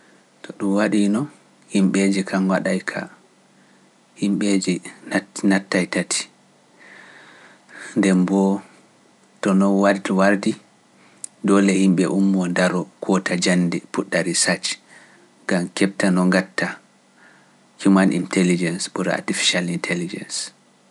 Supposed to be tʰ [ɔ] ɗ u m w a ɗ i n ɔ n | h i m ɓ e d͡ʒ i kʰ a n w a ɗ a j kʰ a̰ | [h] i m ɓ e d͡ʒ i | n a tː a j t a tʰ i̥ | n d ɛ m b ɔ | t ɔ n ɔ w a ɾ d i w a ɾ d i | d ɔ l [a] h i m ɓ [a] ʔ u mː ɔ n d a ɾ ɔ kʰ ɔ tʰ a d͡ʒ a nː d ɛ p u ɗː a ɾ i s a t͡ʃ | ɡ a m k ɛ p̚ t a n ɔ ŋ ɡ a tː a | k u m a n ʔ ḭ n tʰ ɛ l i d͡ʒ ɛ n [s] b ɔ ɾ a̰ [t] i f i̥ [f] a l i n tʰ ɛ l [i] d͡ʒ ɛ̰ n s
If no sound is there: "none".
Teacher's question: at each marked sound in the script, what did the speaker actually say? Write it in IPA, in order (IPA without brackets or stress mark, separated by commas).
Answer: ɔ, h, ɛ, ɛ, s, t, ʃ, i